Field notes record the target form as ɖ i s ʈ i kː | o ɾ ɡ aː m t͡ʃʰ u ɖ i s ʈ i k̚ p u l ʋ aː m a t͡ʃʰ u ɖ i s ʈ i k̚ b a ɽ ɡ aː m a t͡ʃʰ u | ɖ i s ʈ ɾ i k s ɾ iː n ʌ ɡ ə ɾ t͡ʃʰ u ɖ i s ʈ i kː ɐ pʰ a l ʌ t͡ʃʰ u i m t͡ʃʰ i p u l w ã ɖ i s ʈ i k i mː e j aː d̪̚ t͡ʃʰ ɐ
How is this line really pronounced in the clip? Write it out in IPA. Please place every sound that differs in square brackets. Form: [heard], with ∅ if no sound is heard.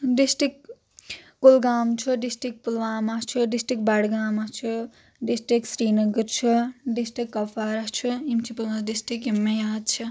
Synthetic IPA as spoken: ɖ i s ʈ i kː | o [l] ɡ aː m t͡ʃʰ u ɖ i s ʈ i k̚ p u l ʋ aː m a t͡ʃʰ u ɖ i s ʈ i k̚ b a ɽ ɡ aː m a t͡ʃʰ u | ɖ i s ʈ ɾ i k s ɾ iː n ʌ ɡ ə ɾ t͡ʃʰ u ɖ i s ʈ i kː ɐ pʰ a [ɾ] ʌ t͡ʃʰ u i m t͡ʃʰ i p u l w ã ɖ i s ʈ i k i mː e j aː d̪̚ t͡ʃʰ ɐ